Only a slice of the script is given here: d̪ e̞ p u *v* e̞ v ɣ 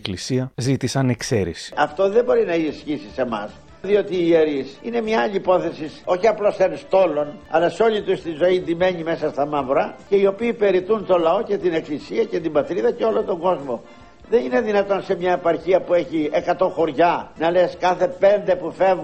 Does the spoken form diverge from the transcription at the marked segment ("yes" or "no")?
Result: yes